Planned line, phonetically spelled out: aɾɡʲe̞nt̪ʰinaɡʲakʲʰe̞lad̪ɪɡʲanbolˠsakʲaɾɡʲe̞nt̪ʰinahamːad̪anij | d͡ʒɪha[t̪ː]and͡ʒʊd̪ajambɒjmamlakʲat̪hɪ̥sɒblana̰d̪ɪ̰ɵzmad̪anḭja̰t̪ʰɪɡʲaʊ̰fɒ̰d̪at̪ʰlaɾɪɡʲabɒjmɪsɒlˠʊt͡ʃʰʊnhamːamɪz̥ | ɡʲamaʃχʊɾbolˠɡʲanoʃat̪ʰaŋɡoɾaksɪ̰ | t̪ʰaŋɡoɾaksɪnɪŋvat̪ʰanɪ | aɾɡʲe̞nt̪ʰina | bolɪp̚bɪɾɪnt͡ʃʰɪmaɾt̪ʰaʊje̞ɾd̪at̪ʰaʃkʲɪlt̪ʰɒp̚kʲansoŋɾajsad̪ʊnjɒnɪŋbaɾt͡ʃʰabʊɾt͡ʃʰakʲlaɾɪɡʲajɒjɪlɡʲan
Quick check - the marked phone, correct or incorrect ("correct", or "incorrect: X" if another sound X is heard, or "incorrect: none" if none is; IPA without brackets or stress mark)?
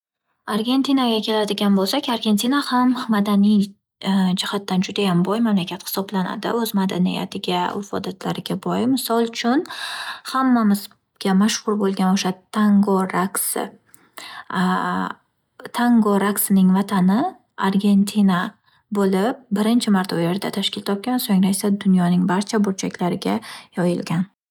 correct